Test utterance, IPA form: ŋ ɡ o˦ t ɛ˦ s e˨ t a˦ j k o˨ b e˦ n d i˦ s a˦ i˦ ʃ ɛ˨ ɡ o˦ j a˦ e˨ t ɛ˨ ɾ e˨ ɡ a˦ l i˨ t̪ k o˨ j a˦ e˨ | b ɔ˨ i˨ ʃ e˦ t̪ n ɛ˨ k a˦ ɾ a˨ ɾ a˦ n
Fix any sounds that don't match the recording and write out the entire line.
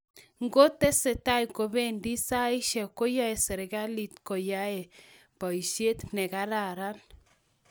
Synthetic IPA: ŋ ɡ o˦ t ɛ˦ s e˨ t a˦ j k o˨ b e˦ n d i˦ s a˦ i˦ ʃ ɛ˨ k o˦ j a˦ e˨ s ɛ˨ ɾ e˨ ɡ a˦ l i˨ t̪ k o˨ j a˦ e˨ | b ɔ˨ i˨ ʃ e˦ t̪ n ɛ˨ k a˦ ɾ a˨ ɾ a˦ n